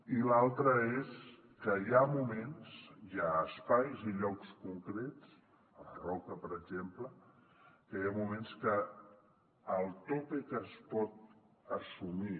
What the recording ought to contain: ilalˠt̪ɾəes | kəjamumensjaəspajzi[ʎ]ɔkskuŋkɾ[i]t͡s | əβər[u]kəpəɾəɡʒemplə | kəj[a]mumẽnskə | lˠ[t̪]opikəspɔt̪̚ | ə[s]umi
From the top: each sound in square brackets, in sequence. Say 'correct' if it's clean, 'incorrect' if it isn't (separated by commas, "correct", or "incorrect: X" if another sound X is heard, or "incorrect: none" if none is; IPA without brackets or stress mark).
correct, incorrect: e, incorrect: ɔ, correct, correct, correct